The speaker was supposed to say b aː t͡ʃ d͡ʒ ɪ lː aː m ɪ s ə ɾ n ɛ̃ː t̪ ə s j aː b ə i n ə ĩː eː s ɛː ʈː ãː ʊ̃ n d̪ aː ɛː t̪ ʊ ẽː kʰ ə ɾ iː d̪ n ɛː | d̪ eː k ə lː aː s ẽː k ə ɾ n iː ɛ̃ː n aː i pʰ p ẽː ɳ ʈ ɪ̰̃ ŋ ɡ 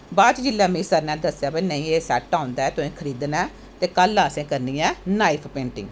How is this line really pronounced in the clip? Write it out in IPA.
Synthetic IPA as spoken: b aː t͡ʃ d͡ʒ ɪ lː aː m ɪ s ə ɾ n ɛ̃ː d̪ ə s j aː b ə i n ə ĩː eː s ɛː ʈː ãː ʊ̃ n d̪ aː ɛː t̪ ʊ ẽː kʰ ə ɾ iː d̪ n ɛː | t̪ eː k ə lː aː s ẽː k ə ɾ n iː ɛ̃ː n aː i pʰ p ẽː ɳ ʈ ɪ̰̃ ŋ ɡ